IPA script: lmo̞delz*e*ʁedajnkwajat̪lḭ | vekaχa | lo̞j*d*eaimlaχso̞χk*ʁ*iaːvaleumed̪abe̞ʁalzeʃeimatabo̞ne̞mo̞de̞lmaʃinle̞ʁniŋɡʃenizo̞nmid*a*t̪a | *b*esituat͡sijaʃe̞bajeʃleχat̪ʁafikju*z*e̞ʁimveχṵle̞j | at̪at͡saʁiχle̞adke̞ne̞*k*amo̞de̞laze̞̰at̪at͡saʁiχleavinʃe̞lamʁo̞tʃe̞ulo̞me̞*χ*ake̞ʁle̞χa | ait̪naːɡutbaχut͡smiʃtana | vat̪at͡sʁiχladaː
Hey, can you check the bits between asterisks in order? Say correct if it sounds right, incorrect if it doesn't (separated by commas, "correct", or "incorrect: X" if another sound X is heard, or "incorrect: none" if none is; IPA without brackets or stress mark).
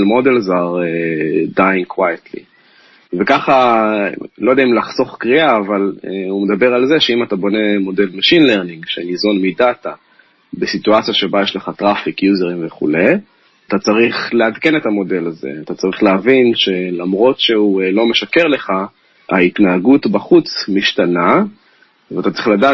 incorrect: a, correct, correct, correct, correct, correct, incorrect: t, incorrect: ʃ